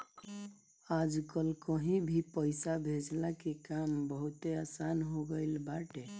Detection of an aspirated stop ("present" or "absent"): absent